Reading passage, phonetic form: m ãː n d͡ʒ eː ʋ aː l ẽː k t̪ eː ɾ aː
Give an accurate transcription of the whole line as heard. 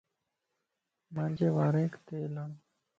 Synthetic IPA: m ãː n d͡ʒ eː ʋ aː ɾ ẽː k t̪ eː l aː

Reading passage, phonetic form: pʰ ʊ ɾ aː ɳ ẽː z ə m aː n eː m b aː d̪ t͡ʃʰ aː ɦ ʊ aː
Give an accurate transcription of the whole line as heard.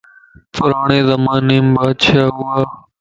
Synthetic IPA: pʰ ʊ ɾ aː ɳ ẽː z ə m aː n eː m b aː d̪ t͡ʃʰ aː ɦ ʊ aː

